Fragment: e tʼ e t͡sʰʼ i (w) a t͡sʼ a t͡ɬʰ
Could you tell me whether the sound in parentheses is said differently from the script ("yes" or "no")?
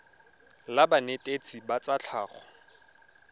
yes